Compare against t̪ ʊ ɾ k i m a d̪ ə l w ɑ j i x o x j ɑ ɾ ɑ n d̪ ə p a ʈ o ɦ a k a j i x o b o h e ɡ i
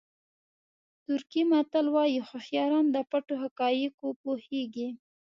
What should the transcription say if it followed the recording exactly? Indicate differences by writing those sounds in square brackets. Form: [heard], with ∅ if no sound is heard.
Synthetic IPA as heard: t̪ ʊ ɾ k i m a [t̪] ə l w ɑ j i x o x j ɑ ɾ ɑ n d̪ ə p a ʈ o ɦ a k [ɑ] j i [k] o [p] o h e ɡ i